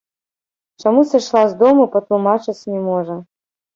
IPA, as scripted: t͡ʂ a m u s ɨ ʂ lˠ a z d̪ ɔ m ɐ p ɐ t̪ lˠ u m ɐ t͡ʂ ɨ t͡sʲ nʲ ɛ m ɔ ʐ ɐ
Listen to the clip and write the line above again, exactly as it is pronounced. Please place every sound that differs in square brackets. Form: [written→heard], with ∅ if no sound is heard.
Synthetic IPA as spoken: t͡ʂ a m u s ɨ ʂ lˠ a z d̪ ɔ m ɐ p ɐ t̪ lˠ u m [ɐ→a] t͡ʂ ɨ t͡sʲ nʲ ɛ m ɔ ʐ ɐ